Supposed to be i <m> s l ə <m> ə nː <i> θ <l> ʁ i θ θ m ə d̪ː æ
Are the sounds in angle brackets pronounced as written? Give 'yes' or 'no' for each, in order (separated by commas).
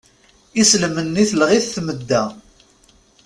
no, yes, yes, yes